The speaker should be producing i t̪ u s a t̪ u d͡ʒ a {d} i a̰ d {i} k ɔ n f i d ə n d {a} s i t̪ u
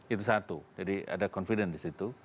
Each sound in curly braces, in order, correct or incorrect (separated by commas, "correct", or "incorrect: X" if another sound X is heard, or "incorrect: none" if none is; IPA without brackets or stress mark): correct, incorrect: a, incorrect: i